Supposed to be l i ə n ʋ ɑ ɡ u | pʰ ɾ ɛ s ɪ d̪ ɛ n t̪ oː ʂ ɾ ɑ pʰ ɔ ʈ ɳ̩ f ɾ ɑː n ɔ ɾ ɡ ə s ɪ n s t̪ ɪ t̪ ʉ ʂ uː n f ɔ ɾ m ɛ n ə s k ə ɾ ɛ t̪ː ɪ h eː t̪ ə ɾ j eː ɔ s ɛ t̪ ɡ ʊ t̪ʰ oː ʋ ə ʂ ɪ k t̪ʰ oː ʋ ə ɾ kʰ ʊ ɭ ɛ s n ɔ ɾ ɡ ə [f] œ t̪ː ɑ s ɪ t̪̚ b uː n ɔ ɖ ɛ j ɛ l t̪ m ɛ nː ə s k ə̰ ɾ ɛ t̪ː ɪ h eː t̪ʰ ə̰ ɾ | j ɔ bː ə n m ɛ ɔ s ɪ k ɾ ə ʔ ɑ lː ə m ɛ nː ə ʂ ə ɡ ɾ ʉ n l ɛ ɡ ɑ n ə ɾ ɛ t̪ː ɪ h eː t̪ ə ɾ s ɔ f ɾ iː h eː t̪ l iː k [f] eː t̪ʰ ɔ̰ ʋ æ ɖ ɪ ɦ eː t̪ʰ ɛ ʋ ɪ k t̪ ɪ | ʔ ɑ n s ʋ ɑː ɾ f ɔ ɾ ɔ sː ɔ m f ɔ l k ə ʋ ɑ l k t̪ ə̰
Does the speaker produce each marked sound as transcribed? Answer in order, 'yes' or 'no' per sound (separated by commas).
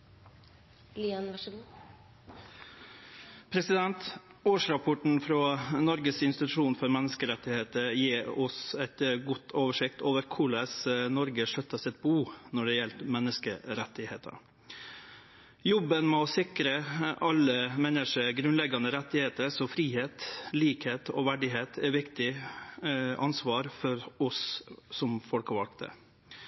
no, no